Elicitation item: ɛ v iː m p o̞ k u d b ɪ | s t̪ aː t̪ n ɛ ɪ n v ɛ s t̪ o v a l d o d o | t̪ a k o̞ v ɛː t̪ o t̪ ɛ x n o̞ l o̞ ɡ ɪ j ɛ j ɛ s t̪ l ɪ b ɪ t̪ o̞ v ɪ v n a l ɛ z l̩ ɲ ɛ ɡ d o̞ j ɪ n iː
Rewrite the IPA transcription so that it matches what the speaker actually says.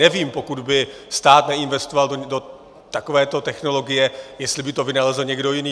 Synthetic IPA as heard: ɛ v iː m p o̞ k u d b ɪ | s t̪ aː t̪ n ɛ ɪ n v ɛ s t̪ o v a l d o d o | t̪ a k o̞ v ɛː t̪ o t̪ ɛ x n o̞ l o̞ ɡ ɪ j ɛ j ɛ s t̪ l ɪ b ɪ t̪ o̞ v ɪ n a l ɛ z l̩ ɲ ɛ ɡ d o̞ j ɪ n iː